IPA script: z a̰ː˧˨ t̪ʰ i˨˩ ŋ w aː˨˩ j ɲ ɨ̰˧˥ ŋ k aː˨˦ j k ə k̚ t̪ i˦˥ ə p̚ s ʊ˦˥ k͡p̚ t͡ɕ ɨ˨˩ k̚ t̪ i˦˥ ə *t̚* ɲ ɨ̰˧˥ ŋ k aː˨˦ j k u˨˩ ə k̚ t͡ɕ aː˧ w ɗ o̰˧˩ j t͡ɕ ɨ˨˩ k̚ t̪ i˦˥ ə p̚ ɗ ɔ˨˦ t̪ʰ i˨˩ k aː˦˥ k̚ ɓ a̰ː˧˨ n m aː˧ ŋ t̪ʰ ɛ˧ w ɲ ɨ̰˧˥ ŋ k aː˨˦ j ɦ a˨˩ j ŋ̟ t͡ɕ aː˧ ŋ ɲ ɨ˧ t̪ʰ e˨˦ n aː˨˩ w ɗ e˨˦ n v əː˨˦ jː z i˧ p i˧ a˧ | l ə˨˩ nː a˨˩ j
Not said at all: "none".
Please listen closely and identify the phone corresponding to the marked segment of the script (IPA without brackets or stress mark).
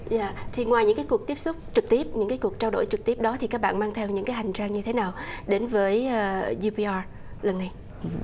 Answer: p̚